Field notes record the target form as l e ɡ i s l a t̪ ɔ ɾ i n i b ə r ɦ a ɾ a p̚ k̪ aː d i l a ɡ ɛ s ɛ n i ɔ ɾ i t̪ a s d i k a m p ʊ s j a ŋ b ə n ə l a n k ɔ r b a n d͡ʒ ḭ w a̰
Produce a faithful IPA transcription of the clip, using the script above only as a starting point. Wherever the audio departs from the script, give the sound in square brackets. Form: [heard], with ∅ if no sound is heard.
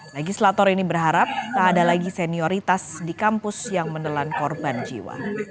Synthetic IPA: l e ɡ i s l a t̪ ɔ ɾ i n i b ə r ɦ a ɾ a p̚ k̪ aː d [a] l a ɡ [i] s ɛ n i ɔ ɾ i t̪ a s d i k a m p ʊ s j a ŋ [m] ə n ə l a n k ɔ r b a n d͡ʒ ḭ w a̰